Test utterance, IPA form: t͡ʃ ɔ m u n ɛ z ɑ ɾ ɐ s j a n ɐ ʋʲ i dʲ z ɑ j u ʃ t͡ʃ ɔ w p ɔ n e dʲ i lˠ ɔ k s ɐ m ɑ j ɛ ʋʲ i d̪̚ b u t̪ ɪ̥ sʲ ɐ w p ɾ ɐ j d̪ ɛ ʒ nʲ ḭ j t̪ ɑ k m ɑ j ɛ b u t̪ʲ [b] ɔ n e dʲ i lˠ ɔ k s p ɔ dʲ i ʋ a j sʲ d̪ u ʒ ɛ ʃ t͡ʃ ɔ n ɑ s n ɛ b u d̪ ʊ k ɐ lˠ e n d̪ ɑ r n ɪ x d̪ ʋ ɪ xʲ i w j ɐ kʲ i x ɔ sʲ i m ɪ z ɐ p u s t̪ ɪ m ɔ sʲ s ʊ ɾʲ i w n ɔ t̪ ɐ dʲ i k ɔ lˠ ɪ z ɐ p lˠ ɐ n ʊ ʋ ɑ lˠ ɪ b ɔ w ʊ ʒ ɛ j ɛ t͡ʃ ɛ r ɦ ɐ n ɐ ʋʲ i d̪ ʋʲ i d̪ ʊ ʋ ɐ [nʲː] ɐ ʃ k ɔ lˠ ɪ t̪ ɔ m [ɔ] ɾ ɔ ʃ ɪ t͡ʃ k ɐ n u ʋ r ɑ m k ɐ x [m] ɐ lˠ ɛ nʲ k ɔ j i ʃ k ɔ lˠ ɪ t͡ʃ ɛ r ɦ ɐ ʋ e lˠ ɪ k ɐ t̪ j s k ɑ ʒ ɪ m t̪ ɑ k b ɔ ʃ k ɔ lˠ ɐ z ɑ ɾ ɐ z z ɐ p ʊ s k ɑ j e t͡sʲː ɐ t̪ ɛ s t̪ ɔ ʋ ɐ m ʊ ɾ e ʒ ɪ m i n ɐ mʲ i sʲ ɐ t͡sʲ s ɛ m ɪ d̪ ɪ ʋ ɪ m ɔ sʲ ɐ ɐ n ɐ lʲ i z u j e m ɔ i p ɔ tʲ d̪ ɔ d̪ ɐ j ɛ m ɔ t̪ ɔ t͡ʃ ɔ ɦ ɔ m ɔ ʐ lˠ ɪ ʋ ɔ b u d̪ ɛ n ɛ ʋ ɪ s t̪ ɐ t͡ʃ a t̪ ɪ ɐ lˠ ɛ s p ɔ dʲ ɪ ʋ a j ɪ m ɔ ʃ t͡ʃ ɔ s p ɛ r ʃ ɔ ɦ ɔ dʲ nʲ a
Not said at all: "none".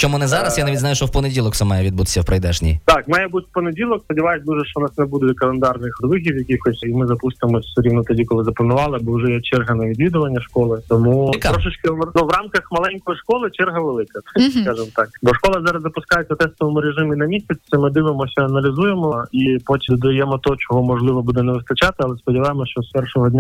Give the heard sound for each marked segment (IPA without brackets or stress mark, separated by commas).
p, nʲː, u, m